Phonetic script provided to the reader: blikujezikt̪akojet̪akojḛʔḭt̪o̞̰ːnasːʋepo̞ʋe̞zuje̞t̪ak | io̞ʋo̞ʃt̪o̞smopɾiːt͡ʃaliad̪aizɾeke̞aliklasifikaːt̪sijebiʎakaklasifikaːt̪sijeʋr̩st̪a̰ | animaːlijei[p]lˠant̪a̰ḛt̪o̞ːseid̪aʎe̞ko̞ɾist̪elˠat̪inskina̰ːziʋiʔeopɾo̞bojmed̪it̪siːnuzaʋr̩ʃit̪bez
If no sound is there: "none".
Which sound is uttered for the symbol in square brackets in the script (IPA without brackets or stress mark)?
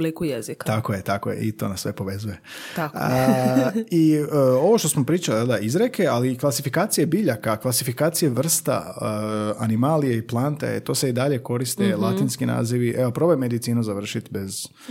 p